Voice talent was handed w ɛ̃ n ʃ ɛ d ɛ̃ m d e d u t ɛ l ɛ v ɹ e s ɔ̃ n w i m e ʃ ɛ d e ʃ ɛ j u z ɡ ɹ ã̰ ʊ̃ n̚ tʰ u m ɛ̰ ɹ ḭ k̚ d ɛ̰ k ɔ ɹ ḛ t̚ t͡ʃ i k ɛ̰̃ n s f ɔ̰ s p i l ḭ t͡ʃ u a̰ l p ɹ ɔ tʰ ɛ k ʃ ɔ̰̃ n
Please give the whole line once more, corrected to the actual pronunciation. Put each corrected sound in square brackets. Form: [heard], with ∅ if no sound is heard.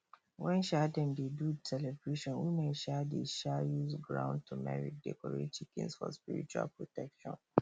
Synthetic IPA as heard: w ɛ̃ n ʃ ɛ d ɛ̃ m d e d u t ɛ l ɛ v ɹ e [ʃ] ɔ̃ n w i m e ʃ ɛ d e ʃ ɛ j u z ɡ ɹ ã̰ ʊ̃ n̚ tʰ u m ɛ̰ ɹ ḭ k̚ d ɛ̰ k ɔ ɹ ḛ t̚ t͡ʃ i k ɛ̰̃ n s f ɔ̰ s p i [ɹ] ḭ t͡ʃ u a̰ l p ɹ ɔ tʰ ɛ k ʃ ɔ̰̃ n